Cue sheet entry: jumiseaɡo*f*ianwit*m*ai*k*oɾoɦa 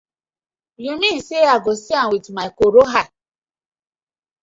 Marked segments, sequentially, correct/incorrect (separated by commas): incorrect, correct, correct